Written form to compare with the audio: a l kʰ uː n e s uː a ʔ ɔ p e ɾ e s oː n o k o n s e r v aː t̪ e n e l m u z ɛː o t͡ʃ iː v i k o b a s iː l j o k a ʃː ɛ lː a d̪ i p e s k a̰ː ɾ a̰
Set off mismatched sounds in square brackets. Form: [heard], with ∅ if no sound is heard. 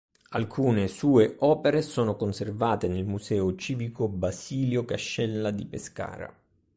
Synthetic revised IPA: a l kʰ uː n e s uː [e] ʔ [ɔː] p e ɾ e s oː n o k o n s e r v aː t̪ e n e l m u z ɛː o t͡ʃ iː v i k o b a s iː l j o k a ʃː ɛ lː a d̪ i p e s k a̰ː ɾ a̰